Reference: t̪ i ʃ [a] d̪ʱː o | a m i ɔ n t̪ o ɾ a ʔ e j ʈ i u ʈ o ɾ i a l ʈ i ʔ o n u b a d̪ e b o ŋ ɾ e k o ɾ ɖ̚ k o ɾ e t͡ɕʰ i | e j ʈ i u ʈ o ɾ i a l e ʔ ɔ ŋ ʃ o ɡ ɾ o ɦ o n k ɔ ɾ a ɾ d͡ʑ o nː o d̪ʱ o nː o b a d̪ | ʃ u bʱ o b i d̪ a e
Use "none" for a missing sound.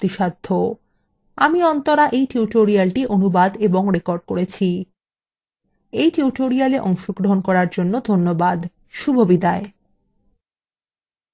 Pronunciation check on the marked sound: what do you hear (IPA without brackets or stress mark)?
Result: a